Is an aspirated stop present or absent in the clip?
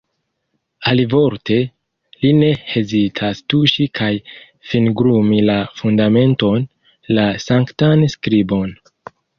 present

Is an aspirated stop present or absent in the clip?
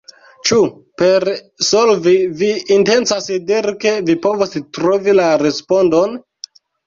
absent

